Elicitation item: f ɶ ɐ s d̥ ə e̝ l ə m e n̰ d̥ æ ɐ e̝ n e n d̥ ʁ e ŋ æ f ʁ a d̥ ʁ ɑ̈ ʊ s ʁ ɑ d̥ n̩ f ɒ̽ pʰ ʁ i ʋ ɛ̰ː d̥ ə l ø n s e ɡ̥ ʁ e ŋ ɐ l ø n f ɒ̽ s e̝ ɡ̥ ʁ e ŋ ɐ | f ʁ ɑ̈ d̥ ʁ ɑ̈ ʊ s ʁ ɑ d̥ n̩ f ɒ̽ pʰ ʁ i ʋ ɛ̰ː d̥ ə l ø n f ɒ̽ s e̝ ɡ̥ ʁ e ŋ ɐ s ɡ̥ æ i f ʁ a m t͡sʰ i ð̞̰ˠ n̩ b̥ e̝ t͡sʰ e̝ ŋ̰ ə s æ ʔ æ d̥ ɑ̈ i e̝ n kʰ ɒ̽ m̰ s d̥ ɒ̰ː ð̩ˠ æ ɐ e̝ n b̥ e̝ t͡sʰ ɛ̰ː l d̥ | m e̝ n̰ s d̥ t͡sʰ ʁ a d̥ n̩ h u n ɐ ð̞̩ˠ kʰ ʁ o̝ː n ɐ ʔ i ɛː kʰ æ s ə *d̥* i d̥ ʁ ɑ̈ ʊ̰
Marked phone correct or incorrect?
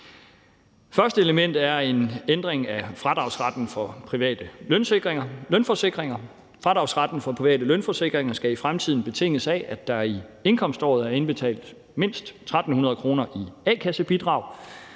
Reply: incorrect